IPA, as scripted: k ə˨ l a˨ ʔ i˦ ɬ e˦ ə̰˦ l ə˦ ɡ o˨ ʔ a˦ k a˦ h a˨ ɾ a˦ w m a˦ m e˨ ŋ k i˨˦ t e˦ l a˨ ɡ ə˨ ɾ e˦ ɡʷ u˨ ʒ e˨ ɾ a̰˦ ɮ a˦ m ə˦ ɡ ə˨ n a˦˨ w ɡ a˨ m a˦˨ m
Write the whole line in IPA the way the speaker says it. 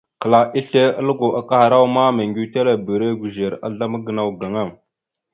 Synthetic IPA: k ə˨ l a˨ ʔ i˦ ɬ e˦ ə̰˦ l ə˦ ɡ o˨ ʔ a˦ k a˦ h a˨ ɾ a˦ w m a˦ m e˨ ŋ ɡ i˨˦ t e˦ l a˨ b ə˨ ɾ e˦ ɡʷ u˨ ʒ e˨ ɾ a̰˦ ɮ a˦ m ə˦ ɡ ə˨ n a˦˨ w ɡ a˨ ŋ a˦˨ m